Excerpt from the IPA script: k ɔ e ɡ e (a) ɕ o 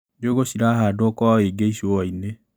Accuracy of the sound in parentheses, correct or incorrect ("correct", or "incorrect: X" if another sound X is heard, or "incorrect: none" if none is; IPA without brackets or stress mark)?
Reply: incorrect: i